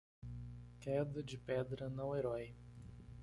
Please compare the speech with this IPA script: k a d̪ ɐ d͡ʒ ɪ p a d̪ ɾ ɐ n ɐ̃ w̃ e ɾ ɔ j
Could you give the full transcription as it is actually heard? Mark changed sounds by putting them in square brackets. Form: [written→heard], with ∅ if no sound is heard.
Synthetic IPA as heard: k [a→ɛ] d̪ ɐ d͡ʒ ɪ p [a→ɛ] d̪ ɾ ɐ n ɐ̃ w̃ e ɾ ɔ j